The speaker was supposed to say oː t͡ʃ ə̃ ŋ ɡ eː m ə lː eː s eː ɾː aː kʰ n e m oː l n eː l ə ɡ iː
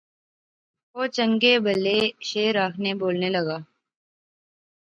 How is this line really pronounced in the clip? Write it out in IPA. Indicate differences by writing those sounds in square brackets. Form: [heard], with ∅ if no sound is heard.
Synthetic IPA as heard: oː t͡ʃ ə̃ ŋ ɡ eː [b] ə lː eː [ʃ] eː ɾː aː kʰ n e [b] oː l n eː l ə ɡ [aː]